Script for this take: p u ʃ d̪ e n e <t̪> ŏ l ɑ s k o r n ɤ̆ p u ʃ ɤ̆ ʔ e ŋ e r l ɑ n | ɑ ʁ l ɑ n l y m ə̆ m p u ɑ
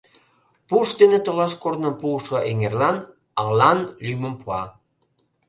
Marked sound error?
no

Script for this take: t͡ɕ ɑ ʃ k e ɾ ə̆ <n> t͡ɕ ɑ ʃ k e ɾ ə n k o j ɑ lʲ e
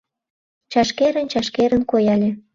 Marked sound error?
no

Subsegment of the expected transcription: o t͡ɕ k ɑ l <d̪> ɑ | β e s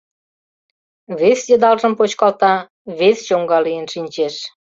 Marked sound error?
yes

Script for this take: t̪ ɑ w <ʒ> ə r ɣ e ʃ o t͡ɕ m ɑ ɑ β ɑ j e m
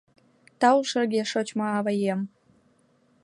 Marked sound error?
yes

